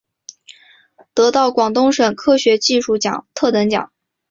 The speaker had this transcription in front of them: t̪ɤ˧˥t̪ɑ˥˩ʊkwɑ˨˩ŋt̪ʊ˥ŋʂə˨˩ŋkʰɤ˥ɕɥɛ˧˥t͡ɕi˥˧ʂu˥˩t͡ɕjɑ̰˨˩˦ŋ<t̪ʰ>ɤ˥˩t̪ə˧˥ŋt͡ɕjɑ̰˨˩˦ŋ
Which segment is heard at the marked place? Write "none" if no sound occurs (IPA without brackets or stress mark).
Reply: t̪ʰ